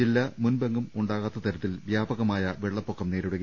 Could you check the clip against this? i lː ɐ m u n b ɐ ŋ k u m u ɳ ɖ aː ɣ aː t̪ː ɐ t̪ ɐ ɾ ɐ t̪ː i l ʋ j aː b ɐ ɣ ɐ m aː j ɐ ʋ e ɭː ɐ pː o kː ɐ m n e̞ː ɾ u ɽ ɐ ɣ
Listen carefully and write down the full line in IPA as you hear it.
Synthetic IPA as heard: i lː ɐ m u n b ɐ ŋ ɡ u m u ɳ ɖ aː ɣ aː t̪ː ɐ t̪ ɐ ɾ ɐ t̪ː i l ʋ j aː b ɐ ɣ ɐ m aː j ɐ ʋ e ɭː ɐ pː o kː ɐ m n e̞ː ɾ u ɽ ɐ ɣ

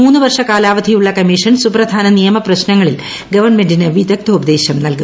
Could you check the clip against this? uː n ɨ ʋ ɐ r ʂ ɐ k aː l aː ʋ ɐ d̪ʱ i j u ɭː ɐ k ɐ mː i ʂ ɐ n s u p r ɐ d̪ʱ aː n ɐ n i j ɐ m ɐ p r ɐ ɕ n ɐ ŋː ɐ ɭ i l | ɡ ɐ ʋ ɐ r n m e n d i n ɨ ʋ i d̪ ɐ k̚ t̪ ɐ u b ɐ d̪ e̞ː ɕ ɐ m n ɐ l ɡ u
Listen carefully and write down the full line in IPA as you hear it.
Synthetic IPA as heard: uː nː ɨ ʋ ɐ r ʂ ɐ k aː l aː ʋ ɐ d̪ʱ i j u ɭː ɐ k ɐ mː i ʂ ɐ n s u p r ɐ d̪ʱ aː n ɐ n i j ɐ m ɐ p r ɐ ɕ n ɐ ŋː ɐ ɭ i l | ɡ ɐ ʋ ɐ r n m e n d i n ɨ ʋ i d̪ ɐ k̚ t̪ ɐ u b ɐ d̪ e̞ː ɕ ɐ m n ɐ l k u

